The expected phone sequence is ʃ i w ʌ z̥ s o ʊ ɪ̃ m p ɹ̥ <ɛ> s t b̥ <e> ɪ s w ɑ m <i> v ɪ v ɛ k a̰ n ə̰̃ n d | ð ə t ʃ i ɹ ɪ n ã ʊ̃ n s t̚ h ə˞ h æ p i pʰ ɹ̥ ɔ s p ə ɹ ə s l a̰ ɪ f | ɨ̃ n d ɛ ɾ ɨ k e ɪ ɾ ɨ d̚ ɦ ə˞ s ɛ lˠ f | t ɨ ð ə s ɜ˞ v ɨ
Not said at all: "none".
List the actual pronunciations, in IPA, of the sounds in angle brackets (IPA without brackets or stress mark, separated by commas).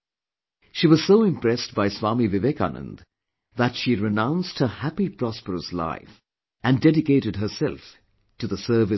ɛ, a, i